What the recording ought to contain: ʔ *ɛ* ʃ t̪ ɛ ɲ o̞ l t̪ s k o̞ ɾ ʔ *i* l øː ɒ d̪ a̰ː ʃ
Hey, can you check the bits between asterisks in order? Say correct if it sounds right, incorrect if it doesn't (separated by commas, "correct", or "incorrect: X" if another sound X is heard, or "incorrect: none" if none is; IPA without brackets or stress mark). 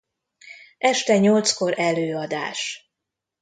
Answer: correct, incorrect: ɛ